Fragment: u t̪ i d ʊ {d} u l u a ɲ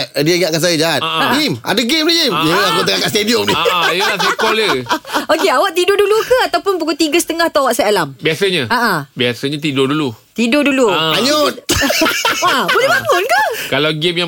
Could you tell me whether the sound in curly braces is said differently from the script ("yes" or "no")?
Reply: no